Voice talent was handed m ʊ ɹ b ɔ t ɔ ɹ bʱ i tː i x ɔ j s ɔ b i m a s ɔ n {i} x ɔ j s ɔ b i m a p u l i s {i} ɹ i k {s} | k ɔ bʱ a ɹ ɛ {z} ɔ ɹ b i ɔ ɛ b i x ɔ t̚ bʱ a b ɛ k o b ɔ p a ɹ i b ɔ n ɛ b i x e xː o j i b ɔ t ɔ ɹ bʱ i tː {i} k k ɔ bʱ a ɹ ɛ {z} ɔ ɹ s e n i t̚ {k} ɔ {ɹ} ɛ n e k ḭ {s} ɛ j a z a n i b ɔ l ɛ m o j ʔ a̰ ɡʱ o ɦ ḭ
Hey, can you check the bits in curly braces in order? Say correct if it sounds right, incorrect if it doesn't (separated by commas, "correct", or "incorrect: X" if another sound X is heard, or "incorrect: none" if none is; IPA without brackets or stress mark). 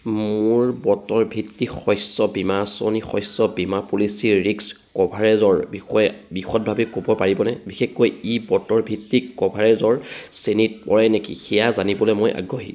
correct, correct, correct, correct, correct, correct, incorrect: p, correct, incorrect: x